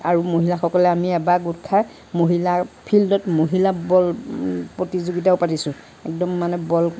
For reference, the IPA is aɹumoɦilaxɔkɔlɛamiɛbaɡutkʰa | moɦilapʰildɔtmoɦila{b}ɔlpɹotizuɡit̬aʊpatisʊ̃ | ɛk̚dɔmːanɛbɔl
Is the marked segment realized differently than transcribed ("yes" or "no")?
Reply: no